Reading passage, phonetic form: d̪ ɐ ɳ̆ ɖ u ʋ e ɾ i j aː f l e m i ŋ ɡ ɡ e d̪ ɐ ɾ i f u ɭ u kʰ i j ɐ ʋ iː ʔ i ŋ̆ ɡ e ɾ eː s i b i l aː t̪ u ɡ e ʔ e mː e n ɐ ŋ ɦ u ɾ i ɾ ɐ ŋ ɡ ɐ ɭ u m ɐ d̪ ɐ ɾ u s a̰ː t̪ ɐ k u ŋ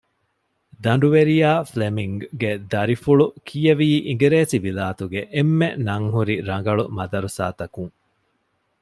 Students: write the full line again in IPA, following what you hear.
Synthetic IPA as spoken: d̪ ɐ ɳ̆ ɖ u ʋ e ɾ i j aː f l e m i ŋ ɡ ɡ e d̪ ɐ ɾ i f u ɭ u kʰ i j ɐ ʋ iː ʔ i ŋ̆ ɡ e ɾ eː s i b i l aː t̪ u ɡ e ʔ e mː e n ɐ ŋ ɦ u ɾ i ɾ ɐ ŋ ɡ ɐ ɭ u m ɐ d̪ ɐ ɾ u s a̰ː t̪ ɐ k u ŋ